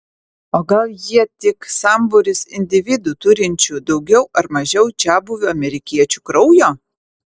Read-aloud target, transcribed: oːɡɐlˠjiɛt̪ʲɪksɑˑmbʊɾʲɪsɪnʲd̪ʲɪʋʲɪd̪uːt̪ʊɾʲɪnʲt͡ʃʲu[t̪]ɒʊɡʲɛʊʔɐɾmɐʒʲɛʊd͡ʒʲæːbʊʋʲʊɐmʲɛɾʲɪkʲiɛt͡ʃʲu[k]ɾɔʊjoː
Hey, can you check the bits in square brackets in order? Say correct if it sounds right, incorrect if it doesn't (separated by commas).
incorrect, correct